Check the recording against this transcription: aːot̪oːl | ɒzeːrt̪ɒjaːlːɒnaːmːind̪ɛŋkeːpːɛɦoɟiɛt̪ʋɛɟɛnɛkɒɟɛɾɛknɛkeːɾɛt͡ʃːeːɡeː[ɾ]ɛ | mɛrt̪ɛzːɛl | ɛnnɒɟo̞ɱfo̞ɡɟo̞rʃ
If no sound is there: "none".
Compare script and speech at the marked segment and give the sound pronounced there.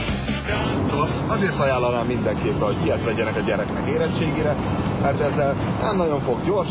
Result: ɾ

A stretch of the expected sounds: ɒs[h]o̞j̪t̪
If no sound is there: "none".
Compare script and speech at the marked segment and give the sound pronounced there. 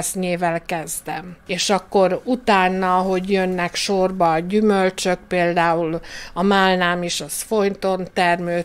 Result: f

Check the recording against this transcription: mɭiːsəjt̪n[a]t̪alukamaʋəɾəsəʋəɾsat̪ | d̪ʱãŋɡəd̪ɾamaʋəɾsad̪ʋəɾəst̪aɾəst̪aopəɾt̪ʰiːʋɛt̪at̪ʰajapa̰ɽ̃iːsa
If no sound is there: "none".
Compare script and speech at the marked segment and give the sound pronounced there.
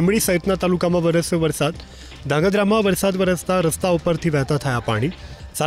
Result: a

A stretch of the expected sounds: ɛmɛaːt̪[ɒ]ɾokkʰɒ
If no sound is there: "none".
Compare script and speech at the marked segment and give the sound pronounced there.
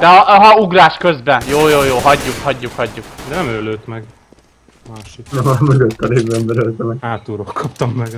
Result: u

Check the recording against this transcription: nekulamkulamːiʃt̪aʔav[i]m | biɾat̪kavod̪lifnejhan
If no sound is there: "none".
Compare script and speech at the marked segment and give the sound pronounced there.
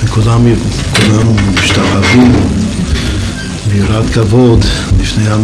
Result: i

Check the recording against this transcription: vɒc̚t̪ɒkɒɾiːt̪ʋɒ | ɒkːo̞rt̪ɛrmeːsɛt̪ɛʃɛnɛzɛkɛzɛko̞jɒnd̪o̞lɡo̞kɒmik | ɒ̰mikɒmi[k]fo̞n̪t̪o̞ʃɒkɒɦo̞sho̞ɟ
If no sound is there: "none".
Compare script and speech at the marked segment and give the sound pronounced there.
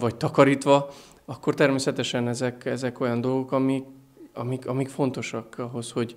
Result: k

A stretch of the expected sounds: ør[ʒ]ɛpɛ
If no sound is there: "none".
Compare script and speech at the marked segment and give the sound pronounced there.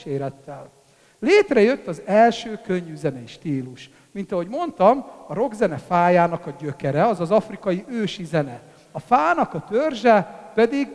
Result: ʒ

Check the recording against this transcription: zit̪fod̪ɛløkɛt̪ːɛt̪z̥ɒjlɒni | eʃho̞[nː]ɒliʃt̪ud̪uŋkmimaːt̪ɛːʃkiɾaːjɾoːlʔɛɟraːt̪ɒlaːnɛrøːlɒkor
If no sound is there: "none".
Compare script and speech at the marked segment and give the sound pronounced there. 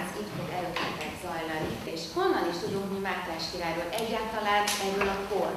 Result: nː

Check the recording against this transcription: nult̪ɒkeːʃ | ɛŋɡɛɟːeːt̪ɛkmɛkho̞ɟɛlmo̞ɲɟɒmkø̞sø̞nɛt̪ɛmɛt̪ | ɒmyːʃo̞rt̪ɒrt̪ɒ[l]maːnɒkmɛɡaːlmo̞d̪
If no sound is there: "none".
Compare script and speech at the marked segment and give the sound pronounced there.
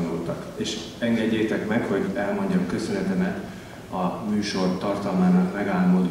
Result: l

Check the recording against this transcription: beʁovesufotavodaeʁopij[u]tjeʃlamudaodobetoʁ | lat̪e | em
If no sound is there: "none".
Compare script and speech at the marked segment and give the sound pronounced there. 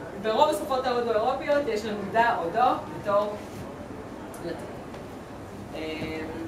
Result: o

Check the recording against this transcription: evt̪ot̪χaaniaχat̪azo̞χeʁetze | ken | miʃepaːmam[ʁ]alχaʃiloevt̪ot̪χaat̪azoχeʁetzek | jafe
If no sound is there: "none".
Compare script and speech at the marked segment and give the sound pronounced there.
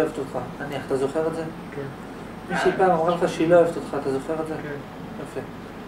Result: ʁ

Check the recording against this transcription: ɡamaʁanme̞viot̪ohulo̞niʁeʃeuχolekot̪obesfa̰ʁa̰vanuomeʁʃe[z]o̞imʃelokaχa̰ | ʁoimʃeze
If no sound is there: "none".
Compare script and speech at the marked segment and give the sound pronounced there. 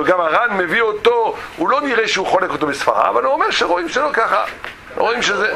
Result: ʁ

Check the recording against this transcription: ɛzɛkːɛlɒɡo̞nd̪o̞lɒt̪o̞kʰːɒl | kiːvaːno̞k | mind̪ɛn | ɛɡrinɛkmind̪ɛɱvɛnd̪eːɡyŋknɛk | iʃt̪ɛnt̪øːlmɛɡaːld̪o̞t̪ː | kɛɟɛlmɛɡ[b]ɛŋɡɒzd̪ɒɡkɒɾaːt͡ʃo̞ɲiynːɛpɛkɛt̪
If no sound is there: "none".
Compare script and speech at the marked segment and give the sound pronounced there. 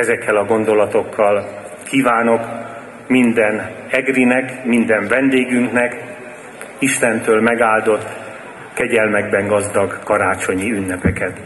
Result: b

